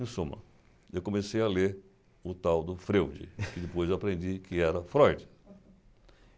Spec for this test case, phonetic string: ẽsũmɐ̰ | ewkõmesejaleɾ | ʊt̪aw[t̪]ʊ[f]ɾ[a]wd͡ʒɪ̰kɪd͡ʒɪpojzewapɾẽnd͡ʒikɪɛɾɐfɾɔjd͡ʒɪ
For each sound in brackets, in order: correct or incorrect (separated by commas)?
incorrect, correct, incorrect